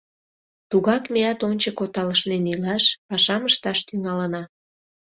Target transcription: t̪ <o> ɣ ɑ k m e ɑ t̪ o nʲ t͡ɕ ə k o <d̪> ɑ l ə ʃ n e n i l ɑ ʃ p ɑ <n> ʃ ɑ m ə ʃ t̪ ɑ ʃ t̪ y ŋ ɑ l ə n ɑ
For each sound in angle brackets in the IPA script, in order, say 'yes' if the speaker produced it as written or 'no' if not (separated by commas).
no, no, no